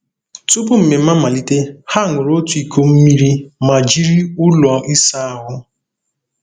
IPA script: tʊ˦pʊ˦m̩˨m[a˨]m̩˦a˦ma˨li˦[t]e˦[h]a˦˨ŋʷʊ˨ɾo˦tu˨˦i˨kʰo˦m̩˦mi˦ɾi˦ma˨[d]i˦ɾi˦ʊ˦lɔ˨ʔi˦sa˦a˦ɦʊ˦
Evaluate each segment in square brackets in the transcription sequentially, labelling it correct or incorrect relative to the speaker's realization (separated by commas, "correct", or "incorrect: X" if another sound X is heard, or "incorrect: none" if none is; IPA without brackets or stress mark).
incorrect: e˨, correct, correct, incorrect: d͡ʒ